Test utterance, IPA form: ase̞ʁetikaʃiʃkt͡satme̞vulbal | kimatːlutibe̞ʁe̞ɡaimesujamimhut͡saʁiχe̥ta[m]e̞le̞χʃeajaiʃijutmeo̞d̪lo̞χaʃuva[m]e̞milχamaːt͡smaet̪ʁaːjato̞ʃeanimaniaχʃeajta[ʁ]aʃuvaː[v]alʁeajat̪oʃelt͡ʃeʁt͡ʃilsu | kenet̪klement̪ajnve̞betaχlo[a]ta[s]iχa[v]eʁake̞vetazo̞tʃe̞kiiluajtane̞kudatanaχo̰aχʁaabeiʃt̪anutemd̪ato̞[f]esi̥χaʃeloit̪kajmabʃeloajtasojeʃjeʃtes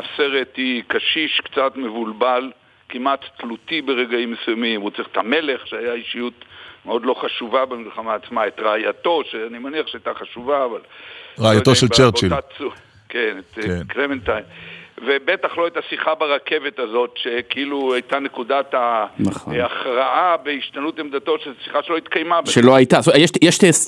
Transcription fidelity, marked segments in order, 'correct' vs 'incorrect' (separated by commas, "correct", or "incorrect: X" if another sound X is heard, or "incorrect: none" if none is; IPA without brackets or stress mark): correct, incorrect: b, incorrect: χ, correct, incorrect: e, correct, incorrect: b, incorrect: ʃ